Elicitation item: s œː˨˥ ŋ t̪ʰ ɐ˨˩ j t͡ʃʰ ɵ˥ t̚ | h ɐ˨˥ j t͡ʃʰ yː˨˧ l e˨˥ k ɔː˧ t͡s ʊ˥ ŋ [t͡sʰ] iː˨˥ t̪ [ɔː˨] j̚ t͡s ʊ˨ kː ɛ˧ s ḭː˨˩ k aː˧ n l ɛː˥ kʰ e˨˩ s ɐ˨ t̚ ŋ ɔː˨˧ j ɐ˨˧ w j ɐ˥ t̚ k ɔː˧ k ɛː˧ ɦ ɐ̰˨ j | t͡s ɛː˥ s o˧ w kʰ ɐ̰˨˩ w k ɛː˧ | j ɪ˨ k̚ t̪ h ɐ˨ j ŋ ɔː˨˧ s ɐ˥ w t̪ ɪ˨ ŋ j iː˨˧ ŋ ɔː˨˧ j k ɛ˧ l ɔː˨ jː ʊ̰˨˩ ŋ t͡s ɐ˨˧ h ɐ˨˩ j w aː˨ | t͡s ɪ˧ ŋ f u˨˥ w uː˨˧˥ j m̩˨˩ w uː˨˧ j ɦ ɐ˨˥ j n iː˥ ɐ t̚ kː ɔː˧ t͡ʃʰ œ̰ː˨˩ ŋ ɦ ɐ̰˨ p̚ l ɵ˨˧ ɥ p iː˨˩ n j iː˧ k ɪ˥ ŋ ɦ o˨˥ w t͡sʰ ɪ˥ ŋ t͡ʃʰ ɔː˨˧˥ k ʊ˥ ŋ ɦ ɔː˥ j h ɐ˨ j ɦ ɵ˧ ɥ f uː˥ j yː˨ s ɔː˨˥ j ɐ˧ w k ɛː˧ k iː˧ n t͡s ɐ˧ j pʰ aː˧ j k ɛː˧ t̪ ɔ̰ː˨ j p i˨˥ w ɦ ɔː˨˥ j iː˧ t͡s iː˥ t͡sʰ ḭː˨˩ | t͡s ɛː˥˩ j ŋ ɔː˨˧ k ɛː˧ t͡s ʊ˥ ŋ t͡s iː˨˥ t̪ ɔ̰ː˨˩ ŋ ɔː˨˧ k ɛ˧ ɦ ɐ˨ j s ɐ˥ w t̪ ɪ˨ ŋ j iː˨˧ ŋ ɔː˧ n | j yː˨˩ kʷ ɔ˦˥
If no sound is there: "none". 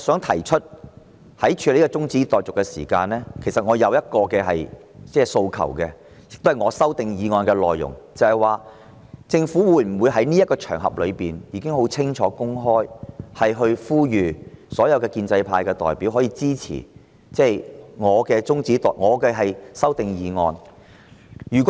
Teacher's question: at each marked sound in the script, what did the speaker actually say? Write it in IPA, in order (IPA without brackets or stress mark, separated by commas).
t͡s, ɔː˨